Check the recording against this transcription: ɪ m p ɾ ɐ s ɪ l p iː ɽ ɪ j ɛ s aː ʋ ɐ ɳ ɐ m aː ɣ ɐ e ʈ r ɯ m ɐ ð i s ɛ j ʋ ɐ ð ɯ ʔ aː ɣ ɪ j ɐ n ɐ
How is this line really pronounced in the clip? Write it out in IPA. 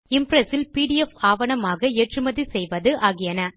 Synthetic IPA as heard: ɪ m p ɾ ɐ s ɪ l p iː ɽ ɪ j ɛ f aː ʋ ɐ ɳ ɐ m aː ɣ ɐ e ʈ r ɯ m ɐ ð i s ɛ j ʋ ɐ ð ɯ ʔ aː ɣ ɪ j ɐ n ɐ